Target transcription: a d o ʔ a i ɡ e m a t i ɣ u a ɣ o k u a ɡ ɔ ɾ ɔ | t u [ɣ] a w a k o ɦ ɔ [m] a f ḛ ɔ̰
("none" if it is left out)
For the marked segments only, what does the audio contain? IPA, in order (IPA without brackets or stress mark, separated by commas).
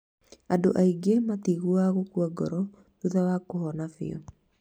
ð, n